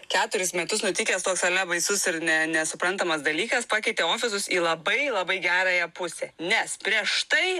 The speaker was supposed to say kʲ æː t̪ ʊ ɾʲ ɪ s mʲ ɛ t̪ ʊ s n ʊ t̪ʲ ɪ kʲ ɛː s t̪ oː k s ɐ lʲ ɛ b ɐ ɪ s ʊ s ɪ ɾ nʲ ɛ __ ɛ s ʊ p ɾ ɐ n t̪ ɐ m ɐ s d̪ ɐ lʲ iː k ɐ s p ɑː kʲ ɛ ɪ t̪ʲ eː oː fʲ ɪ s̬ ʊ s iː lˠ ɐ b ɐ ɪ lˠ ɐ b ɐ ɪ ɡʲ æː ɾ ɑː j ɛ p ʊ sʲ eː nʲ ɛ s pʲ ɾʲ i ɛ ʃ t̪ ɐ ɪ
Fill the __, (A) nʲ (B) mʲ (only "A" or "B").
A